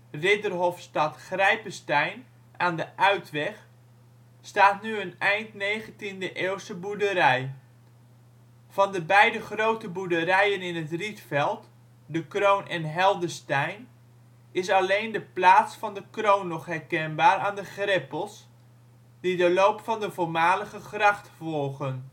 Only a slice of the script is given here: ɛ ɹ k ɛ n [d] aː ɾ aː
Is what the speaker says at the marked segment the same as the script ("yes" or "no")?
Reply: no